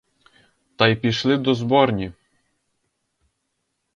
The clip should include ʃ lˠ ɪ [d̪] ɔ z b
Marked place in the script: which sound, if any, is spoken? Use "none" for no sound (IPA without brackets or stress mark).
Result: d̪